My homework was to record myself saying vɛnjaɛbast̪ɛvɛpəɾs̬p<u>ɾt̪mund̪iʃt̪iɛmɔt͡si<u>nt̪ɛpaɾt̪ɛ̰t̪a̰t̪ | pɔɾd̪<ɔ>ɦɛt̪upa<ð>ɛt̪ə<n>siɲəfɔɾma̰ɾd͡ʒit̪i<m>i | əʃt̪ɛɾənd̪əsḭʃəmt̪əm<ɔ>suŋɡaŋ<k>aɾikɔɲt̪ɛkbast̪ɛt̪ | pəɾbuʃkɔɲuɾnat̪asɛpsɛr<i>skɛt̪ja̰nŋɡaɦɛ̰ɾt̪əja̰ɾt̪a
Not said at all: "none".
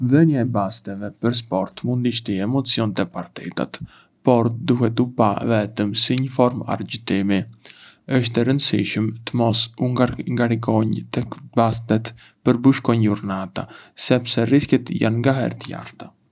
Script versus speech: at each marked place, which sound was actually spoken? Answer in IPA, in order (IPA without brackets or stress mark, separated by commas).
ɔ, ɔ, u, v, m, m, ɔ, ɡ, i